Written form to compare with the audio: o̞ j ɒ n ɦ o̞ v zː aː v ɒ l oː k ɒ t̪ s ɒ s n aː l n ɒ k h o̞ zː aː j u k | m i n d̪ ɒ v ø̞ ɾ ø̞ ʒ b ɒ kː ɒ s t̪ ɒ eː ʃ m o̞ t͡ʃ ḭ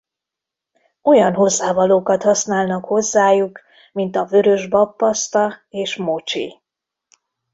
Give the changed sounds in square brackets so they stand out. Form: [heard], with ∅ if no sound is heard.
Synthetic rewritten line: o̞ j ɒ n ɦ o̞ [∅] zː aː v ɒ l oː k ɒ t̪ [h] ɒ s n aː l n ɒ k h o̞ zː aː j u k | m i n [t̪] ɒ v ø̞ ɾ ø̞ ʒ b ɒ [pː] ɒ s t̪ ɒ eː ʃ m o̞ t͡ʃ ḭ